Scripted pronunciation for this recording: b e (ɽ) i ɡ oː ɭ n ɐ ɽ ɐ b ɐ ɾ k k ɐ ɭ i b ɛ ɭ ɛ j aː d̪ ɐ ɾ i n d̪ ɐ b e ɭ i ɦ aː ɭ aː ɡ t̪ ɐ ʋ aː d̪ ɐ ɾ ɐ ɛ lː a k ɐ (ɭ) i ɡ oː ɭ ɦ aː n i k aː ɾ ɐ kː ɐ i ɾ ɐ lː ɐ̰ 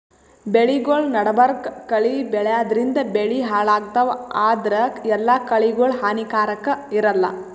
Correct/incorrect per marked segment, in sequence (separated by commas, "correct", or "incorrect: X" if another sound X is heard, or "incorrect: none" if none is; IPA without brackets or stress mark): incorrect: ɭ, correct